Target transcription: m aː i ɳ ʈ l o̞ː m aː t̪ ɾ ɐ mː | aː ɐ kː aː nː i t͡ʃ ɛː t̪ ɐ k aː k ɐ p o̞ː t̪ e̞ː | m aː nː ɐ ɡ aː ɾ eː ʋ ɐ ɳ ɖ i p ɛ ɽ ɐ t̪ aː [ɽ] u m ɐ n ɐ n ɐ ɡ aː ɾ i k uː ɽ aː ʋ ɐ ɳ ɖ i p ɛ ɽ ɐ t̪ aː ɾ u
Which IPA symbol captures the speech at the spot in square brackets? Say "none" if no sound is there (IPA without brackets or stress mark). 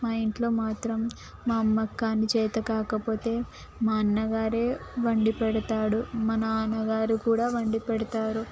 ɽ